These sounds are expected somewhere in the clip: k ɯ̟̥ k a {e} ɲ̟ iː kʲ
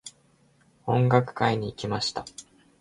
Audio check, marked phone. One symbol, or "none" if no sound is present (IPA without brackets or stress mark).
i